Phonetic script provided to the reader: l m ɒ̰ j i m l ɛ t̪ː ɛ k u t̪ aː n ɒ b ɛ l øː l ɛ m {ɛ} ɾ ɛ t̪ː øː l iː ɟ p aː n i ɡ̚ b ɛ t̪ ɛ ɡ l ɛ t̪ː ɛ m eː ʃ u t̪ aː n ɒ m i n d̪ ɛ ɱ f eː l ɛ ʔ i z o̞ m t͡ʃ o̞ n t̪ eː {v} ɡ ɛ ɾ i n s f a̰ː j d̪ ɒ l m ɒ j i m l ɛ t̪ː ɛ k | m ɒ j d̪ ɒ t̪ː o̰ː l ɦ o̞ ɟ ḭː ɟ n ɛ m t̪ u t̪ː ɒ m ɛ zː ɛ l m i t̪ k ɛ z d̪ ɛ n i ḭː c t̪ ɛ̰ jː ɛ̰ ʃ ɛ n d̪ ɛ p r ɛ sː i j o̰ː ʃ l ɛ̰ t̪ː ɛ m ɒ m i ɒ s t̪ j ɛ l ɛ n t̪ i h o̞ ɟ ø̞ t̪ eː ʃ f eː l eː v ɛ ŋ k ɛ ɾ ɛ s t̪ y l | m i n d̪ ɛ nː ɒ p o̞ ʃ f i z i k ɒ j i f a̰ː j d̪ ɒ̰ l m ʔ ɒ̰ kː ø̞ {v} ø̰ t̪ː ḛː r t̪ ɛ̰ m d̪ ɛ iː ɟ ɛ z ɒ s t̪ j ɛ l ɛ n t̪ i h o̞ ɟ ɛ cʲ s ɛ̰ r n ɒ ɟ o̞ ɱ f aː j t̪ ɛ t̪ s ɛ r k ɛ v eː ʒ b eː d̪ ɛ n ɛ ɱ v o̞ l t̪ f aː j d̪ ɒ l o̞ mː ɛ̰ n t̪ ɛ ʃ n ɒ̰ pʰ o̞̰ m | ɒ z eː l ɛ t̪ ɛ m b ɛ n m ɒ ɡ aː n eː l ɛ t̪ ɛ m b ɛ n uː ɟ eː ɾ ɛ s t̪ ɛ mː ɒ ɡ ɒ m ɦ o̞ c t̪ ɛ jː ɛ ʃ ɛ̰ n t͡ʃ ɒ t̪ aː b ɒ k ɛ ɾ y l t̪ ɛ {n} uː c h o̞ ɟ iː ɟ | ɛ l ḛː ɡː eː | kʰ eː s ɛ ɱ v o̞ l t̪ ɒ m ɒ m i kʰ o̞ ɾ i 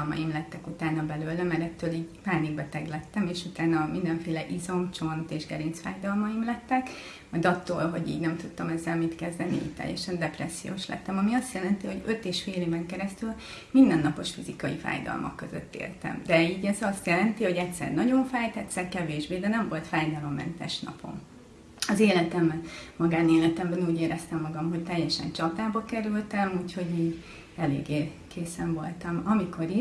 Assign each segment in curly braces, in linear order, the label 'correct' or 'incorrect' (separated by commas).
correct, incorrect, incorrect, incorrect